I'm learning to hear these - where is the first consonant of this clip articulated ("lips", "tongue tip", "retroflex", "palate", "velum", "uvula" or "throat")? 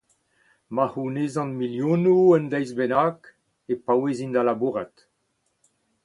lips